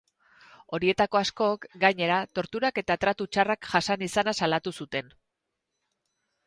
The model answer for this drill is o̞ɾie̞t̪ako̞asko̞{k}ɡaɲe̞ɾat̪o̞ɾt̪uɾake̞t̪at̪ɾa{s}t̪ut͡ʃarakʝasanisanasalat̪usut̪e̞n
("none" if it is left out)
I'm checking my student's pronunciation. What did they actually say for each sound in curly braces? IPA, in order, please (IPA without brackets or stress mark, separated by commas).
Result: k, none